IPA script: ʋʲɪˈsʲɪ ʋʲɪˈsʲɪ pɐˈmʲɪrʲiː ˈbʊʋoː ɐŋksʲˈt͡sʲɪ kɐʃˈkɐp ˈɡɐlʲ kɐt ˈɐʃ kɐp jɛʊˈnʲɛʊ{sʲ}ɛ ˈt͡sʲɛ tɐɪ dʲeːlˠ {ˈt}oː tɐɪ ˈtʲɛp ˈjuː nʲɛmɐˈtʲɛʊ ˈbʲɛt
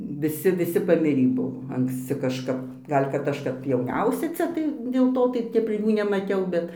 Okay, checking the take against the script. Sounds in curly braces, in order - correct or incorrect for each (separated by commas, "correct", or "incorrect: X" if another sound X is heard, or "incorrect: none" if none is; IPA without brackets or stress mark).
correct, correct